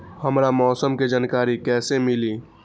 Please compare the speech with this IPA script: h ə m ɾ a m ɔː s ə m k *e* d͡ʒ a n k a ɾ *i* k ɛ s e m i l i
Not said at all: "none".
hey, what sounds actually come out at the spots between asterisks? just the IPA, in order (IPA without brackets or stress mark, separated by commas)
e, i